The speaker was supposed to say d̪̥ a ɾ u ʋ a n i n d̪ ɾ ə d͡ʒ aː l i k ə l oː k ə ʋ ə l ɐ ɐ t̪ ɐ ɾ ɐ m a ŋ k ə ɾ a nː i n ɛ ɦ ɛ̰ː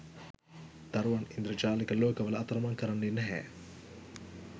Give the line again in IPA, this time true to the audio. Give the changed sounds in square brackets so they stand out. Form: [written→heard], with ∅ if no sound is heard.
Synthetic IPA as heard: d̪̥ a ɾ u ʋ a n i n d̪ ɾ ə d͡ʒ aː l i k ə l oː k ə ʋ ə l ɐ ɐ t̪ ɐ ɾ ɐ m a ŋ k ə ɾ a nː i n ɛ ɦ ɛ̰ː